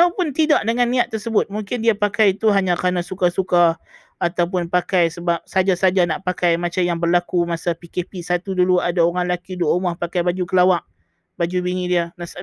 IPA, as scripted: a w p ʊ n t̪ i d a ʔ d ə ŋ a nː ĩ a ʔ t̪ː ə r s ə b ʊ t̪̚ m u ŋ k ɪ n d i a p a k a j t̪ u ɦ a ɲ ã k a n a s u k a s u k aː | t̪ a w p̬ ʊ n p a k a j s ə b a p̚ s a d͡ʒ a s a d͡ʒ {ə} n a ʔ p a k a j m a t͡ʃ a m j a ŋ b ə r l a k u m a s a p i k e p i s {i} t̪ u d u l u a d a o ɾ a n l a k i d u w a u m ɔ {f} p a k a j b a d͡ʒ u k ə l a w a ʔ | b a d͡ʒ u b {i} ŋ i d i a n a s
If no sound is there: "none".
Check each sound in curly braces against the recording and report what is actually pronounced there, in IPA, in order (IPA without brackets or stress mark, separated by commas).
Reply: a, a, h, i